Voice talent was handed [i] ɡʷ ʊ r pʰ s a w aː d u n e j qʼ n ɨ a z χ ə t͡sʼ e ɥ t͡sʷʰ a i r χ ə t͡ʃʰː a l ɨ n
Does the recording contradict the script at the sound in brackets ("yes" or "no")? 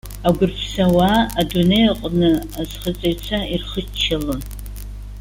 yes